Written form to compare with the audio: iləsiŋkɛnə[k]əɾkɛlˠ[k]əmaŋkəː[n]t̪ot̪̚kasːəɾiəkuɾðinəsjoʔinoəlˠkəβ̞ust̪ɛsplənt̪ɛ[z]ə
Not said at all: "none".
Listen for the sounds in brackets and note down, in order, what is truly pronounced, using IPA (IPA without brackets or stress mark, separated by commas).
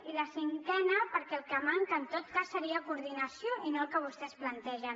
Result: p, k, n, ʒ